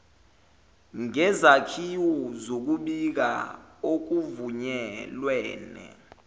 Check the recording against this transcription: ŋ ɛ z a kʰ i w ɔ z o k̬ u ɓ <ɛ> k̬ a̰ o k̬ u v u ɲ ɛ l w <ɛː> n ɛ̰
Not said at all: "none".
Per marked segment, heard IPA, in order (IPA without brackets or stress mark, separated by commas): i, ɛː